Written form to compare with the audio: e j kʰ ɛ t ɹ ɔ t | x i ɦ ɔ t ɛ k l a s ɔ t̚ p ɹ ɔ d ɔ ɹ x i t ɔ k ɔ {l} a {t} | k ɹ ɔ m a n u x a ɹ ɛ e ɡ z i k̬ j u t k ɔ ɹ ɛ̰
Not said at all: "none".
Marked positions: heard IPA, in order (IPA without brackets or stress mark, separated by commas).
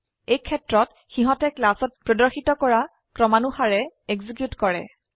ɹ, none